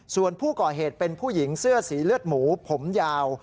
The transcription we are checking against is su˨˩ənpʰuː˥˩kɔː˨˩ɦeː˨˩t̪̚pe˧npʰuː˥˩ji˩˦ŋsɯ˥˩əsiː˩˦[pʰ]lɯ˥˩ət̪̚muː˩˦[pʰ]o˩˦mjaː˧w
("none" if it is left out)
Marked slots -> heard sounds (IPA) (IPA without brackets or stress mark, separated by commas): none, pʰ